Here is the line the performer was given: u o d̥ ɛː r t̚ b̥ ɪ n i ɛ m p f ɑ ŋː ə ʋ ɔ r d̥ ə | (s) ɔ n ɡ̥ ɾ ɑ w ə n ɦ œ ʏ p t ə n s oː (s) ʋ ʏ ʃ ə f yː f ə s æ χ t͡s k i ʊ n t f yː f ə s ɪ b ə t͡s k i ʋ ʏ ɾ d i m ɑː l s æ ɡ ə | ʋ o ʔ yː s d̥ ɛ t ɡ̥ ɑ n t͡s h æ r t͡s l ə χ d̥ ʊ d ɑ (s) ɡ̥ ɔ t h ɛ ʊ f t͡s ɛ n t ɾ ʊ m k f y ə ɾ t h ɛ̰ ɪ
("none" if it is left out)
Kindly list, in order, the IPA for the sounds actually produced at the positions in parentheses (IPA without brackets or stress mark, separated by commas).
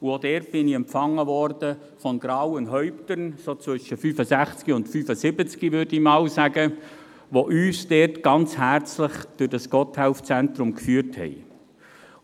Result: f, t͡s, s